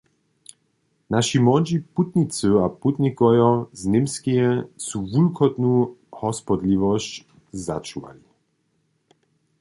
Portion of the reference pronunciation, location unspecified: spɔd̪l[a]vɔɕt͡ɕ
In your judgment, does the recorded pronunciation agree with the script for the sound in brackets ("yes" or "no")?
no